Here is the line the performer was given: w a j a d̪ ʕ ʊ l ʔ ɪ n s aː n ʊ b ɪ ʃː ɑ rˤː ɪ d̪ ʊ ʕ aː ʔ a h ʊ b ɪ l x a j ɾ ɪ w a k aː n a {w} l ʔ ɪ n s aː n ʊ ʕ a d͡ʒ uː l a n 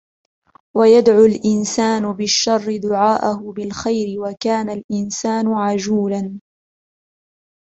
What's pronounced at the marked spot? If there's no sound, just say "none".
none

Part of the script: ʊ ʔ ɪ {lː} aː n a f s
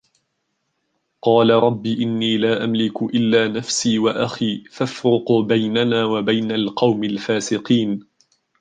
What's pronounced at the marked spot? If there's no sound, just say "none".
lː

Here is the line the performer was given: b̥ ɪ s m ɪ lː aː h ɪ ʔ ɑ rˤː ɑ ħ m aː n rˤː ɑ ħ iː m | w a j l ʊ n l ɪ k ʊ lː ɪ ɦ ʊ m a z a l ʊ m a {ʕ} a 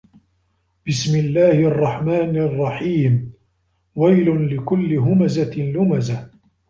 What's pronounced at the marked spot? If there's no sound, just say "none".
z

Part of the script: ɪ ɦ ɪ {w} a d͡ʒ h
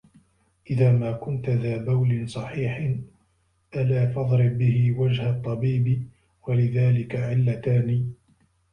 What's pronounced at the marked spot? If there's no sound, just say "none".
w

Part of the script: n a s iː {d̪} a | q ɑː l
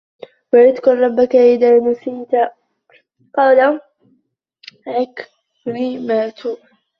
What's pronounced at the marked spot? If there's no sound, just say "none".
t̪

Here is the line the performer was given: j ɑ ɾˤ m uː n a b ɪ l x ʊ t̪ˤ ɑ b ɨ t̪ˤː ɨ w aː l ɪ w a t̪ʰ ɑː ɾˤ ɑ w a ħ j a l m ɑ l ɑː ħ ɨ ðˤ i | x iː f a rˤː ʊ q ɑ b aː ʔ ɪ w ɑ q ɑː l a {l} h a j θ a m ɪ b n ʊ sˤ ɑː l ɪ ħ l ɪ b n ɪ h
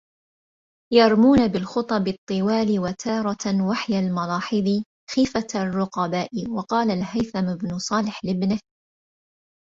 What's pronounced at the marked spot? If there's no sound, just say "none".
l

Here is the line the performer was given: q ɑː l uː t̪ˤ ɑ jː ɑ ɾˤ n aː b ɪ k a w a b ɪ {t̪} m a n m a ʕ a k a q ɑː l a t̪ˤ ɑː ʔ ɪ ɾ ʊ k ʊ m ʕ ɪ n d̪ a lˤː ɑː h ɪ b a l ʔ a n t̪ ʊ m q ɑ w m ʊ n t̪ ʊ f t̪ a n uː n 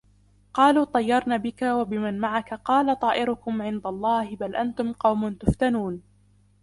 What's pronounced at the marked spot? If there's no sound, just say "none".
none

